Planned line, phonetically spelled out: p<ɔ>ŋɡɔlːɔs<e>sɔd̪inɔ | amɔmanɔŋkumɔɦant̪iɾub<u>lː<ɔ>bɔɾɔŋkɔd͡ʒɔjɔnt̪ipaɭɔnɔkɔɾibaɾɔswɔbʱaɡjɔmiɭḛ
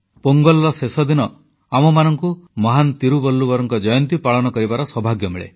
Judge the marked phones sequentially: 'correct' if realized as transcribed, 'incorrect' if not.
incorrect: o, correct, incorrect: ɔ, incorrect: u

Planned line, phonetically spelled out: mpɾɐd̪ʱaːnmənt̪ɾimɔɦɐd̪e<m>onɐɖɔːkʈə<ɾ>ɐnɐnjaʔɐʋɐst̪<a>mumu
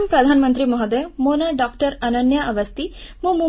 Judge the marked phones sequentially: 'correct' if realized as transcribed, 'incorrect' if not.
correct, correct, incorrect: i

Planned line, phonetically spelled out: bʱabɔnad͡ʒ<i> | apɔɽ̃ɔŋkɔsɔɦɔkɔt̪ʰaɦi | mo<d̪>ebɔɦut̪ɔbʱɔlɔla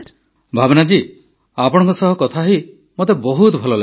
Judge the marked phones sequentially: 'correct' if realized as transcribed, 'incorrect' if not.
correct, incorrect: t̪

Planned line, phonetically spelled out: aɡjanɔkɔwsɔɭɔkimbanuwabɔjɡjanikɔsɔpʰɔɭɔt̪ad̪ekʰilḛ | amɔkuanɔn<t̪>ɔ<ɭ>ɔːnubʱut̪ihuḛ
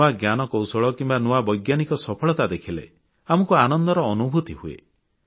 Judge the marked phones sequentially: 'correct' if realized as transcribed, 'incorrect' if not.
incorrect: d̪, incorrect: ɾ

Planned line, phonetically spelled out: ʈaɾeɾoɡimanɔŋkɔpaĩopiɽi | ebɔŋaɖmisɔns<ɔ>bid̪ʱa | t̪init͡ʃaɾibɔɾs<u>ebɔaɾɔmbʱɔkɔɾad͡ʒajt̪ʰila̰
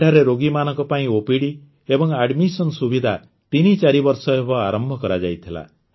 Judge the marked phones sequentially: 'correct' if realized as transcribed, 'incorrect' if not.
incorrect: u, incorrect: ɔ

